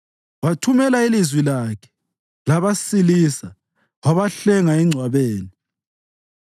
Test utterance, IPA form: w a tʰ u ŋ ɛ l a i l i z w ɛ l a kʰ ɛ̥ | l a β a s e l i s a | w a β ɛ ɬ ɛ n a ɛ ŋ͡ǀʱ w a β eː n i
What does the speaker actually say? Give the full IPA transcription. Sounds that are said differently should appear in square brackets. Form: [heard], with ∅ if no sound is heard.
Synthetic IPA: w a tʰ u [m] ɛ l a i l i z w [i] l a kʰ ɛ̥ | l a β a s [i] l i s a | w a β [a] ɬ ɛ [ŋ] a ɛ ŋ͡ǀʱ w a β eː n i